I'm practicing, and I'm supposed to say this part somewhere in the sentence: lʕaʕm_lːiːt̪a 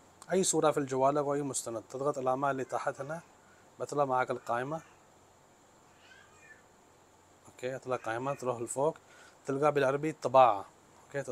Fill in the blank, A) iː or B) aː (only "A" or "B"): B